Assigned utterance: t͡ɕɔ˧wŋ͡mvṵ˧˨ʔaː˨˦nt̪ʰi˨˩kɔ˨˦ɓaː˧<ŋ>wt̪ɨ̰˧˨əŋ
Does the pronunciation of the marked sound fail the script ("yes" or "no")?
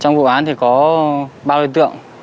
yes